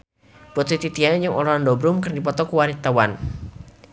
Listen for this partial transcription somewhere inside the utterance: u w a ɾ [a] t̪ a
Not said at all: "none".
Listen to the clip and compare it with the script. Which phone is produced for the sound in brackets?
i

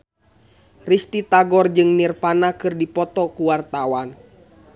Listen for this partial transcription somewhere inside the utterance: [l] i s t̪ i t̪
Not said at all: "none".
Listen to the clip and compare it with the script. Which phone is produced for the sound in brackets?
r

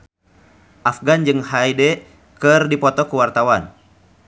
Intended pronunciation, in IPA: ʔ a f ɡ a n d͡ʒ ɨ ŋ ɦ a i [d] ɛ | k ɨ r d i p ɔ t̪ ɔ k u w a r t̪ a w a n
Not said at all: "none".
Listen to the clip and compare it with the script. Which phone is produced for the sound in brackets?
d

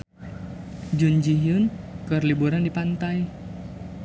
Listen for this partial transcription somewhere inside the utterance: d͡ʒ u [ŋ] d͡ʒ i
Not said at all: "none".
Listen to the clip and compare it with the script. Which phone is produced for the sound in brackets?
n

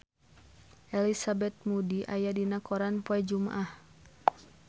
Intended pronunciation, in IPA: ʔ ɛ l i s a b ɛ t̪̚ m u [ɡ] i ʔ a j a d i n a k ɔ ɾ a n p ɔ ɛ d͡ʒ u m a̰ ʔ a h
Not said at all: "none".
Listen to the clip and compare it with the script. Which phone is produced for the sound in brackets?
d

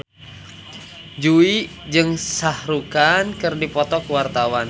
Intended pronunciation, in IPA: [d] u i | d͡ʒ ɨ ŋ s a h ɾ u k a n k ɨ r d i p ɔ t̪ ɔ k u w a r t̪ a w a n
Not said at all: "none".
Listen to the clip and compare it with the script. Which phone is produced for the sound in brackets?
d͡ʒ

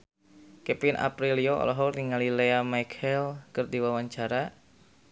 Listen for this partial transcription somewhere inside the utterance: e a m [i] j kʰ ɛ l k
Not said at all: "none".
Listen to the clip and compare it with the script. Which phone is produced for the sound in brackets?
a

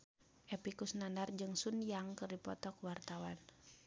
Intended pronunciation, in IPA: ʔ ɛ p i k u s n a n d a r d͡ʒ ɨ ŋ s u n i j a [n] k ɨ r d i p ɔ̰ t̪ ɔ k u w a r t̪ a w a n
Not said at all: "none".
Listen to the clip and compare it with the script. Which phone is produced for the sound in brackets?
ŋ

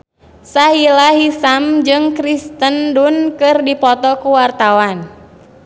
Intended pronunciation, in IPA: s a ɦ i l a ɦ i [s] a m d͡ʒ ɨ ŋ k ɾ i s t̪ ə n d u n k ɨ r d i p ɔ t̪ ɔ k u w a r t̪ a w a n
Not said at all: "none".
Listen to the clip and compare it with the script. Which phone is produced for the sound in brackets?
s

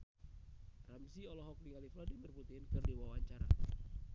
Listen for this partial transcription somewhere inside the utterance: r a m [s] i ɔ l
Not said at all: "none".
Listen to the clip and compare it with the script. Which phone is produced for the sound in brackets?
s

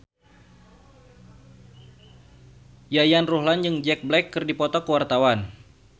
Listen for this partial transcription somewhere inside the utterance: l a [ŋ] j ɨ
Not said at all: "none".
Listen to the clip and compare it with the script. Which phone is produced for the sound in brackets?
n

